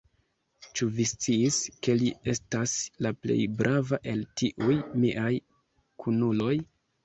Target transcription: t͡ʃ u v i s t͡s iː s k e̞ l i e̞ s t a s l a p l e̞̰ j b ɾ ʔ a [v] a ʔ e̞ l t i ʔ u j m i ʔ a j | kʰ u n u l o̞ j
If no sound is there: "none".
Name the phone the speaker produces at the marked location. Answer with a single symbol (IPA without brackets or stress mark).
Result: v